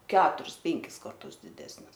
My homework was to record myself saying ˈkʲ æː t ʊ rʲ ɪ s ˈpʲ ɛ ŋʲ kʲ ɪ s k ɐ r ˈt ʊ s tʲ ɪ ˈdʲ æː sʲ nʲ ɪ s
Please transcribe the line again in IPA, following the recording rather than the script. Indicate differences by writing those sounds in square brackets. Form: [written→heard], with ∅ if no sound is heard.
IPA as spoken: ˈkʲ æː t ʊ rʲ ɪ s ˈpʲ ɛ ŋʲ kʲ ɪ s k ɐ r ˈt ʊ s [tʲ→dʲ] ɪ ˈdʲ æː sʲ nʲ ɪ s

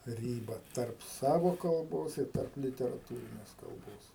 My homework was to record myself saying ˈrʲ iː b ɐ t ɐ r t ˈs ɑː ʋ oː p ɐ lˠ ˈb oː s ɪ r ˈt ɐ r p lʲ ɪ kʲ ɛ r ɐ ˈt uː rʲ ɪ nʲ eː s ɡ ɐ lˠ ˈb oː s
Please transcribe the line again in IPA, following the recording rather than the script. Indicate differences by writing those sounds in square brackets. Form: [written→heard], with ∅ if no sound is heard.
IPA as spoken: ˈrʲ iː b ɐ t ɐ r [t→p] ˈs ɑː ʋ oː [p→k] ɐ lˠ ˈb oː s ɪ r ˈt ɐ r p lʲ ɪ [kʲ→tʲ] ɛ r ɐ ˈt uː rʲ ɪ nʲ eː s [ɡ→k] ɐ lˠ ˈb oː s

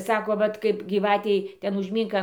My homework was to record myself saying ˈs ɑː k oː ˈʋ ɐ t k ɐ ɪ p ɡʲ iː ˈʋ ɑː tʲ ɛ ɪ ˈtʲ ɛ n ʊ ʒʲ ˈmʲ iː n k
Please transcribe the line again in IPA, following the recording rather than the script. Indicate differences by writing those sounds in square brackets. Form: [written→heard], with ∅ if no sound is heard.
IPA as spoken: ˈs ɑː k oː ˈʋ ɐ t k ɐ ɪ p ɡʲ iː ˈʋ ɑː tʲ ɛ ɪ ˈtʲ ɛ n ʊ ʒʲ ˈmʲ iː [n→ŋ] k

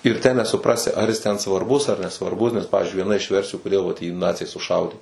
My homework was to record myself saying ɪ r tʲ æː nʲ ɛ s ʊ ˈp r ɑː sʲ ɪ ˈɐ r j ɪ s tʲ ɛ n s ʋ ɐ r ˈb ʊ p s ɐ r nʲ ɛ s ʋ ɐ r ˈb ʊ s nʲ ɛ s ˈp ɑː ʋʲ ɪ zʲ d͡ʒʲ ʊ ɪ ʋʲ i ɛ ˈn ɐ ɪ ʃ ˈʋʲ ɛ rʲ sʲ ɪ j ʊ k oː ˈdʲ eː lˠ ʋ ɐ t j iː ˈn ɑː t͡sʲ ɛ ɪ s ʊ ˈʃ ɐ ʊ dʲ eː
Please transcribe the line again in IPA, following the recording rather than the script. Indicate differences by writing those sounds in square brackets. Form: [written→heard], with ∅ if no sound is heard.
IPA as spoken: ɪ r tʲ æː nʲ ɛ s ʊ ˈp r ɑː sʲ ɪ ˈɐ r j ɪ s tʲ ɛ n s ʋ ɐ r ˈb ʊ [p→∅] s ɐ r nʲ ɛ s ʋ ɐ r ˈb ʊ s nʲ ɛ s ˈp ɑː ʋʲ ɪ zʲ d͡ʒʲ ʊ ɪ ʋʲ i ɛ ˈn ɐ ɪ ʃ ˈʋʲ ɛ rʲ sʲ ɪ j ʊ k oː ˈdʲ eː lˠ ʋ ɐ t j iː ˈn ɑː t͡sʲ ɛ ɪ s ʊ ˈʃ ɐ ʊ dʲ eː

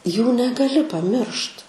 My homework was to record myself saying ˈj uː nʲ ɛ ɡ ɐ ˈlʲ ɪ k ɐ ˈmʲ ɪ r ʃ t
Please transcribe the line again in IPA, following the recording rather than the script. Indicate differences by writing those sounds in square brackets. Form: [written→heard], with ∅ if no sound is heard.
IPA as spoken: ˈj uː nʲ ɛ ɡ ɐ ˈlʲ ɪ [k→p] ɐ ˈmʲ ɪ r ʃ t

